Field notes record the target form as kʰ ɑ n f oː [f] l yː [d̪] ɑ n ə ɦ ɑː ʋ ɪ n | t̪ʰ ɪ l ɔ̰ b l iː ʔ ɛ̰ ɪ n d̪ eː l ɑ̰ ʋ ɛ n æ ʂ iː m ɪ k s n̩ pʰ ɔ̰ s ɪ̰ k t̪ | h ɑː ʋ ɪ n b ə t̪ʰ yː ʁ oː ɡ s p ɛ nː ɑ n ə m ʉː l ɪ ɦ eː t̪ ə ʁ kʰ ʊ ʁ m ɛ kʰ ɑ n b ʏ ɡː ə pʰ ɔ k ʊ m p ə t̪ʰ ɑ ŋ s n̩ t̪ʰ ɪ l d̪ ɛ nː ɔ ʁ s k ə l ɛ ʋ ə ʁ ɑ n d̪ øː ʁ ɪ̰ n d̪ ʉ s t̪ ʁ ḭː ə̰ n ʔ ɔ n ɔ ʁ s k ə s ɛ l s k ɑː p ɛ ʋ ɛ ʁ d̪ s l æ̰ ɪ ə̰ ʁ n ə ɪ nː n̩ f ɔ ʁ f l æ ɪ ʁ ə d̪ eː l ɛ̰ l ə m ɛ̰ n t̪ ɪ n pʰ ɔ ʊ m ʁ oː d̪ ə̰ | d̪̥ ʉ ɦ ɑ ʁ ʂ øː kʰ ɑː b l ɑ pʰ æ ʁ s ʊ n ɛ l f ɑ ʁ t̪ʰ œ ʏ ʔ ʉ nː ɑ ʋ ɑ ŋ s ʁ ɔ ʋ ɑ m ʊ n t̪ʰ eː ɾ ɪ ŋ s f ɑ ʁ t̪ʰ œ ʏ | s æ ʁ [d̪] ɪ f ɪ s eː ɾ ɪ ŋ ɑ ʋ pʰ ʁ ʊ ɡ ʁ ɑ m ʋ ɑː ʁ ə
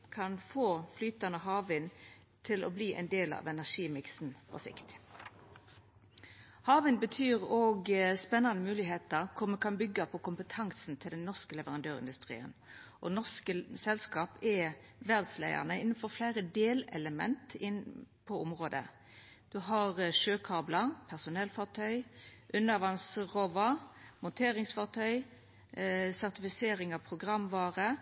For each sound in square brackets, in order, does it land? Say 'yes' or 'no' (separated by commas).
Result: yes, no, no